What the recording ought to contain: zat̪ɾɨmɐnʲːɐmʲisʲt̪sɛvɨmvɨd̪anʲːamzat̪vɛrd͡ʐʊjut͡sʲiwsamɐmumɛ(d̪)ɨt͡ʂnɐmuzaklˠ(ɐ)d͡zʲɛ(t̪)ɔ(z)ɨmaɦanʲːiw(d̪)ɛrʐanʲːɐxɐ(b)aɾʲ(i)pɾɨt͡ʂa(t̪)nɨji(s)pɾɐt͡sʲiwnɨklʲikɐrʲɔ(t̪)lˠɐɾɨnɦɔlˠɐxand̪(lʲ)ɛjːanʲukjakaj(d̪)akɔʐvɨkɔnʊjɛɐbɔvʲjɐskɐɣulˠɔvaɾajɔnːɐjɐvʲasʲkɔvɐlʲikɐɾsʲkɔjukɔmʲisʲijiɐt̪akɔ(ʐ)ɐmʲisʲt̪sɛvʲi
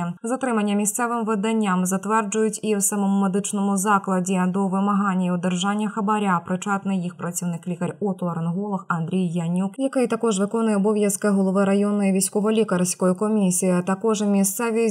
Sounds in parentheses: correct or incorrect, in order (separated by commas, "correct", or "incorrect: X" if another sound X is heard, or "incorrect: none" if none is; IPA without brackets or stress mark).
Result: correct, correct, incorrect: d̪, incorrect: v, correct, correct, incorrect: a, correct, incorrect: x, correct, incorrect: ɾʲ, incorrect: t̪, correct